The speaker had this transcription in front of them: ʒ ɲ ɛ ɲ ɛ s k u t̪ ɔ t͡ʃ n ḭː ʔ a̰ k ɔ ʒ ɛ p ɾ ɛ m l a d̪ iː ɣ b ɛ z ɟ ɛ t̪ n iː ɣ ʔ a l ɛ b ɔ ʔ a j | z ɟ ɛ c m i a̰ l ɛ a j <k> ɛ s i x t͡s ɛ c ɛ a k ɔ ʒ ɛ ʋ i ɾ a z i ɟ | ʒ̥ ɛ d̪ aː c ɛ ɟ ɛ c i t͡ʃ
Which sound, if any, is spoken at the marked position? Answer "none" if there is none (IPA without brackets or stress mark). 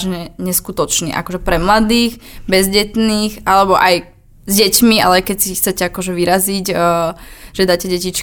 k